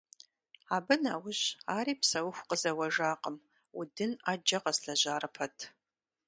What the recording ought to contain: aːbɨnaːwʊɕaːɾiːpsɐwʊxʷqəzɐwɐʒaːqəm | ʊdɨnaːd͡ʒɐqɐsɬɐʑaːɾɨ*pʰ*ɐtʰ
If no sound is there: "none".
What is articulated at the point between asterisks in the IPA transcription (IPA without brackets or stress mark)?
pʰ